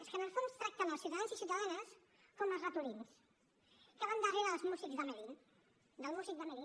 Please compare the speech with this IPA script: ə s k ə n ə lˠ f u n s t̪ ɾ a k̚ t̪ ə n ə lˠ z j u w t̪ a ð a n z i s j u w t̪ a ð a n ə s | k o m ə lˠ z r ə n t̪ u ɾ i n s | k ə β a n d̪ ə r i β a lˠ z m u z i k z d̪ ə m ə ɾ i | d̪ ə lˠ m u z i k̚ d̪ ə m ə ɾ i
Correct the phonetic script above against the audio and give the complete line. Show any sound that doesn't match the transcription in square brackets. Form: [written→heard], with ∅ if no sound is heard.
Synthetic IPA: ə s k ə n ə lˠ f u n s t̪ ɾ a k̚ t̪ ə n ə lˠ [z→s] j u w t̪ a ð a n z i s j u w t̪ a ð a n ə s | k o m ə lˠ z r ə [n→∅] t̪ u ɾ i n s | k ə β a n d̪ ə r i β a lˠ z m u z i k z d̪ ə m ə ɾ i | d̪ ə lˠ m u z i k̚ d̪ ə m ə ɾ i